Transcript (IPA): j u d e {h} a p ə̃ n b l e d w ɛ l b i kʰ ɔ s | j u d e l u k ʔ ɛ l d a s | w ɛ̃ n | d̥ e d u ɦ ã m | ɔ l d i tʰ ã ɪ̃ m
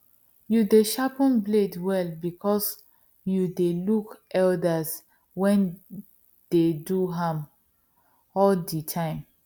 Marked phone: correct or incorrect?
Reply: incorrect